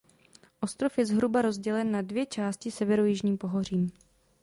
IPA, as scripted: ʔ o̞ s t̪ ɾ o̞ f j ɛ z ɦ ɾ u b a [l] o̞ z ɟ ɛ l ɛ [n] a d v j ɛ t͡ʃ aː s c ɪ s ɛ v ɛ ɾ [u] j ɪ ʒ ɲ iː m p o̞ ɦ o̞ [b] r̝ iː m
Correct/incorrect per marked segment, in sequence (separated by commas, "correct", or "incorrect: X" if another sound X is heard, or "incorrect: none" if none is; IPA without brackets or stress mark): incorrect: ɾ, incorrect: nː, incorrect: o, incorrect: none